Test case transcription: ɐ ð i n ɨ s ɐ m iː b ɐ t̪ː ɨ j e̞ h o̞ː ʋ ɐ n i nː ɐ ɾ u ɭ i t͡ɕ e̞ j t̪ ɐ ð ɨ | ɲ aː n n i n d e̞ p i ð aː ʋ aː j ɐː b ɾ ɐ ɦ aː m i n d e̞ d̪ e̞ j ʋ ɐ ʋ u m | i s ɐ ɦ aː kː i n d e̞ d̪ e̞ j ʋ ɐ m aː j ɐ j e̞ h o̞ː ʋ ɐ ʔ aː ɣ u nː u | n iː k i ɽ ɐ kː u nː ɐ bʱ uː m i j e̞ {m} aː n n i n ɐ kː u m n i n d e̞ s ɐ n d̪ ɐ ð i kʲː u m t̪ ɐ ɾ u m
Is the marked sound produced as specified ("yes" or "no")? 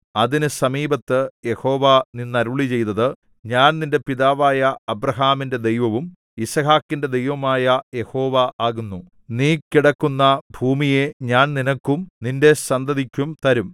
no